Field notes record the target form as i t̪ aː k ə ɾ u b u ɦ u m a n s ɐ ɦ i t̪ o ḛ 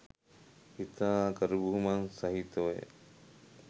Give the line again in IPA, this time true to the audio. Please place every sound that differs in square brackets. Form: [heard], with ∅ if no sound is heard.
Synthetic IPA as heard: i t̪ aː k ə ɾ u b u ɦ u m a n s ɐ ɦ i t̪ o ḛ